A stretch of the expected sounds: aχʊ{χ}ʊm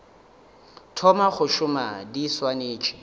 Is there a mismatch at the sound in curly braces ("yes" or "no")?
yes